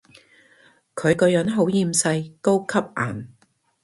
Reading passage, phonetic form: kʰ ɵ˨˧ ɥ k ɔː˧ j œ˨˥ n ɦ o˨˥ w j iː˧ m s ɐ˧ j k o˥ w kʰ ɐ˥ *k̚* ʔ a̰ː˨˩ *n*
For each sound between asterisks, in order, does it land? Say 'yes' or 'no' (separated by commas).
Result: no, yes